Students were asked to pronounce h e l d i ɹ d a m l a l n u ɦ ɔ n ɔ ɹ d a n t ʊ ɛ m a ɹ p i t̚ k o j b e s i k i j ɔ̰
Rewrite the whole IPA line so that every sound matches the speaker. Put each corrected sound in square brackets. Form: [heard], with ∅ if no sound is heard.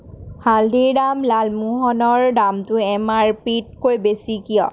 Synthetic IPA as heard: h [a] l d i ɹ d a m l a l [m] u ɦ ɔ n ɔ ɹ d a [m] t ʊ ɛ m a ɹ p i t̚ k o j b e s i k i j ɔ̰